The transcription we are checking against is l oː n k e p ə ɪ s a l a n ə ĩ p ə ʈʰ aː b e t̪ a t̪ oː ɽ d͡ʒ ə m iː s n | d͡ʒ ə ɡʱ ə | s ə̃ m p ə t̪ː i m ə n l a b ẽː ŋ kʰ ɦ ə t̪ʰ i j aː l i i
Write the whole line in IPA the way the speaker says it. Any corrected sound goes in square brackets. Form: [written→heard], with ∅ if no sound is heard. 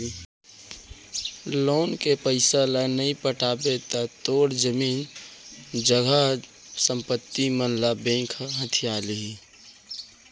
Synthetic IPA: l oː n k e p ə ɪ s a l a n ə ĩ p ə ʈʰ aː b e t̪ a t̪ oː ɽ d͡ʒ ə m iː [s→∅] n | d͡ʒ ə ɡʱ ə | s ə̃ m p ə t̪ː i m ə n l a b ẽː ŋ kʰ ɦ ə t̪ʰ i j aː l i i